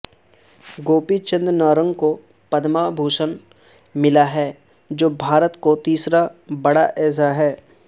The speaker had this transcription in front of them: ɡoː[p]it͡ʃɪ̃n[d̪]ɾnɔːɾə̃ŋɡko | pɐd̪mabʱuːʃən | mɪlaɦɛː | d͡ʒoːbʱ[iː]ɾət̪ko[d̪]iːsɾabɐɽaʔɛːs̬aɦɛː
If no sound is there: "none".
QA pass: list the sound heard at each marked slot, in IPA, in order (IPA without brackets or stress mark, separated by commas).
p, d̪, aː, t̪